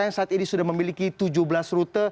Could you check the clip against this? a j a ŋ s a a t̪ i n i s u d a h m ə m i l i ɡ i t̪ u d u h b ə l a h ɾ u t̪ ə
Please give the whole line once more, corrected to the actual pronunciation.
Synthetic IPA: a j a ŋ s a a t̪ i n i s u d a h m ə m i l i k i t̪ u d͡ʒ u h b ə l a s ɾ u t̪ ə